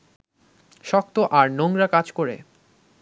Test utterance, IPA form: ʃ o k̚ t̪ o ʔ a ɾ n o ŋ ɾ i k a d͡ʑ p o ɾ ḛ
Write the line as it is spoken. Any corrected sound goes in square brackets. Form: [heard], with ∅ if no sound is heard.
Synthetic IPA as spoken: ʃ [ɔ] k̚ t̪ o ʔ a ɾ n o ŋ ɾ [a] k a d͡ʑ [k] o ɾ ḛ